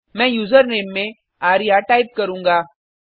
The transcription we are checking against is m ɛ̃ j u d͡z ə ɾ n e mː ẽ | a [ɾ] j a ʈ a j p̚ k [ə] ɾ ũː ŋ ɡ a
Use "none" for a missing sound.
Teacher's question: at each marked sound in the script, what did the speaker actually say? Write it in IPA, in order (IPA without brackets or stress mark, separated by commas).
ɾ, ə